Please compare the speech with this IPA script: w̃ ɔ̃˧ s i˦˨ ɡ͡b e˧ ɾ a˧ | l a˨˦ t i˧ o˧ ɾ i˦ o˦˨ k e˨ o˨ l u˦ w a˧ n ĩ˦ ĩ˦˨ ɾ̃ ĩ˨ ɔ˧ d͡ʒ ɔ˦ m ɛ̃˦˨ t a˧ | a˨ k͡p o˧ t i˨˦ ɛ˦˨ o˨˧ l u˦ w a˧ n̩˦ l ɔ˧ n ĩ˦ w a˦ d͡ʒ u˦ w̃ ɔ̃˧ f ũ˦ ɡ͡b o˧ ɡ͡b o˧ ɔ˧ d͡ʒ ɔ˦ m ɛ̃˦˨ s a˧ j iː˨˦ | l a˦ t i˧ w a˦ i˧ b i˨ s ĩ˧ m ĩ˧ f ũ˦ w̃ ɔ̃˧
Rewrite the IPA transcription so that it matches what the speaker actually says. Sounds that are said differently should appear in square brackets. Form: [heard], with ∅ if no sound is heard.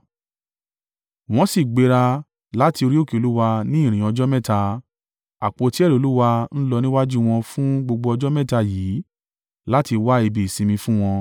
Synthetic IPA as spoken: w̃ ɔ̃˧ s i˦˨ ɡ͡b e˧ ɾ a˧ | l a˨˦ t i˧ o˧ ɾ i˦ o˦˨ k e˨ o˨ l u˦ w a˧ n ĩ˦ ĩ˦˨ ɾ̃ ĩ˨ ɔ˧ d͡ʒ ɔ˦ m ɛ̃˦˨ t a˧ | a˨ k͡p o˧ t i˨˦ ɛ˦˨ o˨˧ l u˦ w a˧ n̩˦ l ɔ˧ n ĩ˦ w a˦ d͡ʒ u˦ w̃ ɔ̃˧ f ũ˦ ɡ͡b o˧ ɡ͡b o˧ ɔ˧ d͡ʒ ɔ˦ m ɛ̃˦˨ [t] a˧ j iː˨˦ | l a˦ t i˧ w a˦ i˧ b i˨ s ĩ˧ m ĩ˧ f ũ˦ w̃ ɔ̃˧